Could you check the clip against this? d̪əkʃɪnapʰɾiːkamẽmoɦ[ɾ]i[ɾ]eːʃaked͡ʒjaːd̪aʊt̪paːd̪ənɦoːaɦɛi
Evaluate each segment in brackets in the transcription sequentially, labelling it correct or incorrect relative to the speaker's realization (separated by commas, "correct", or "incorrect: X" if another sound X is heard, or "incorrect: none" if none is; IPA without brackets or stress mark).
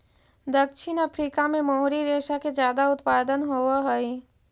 correct, correct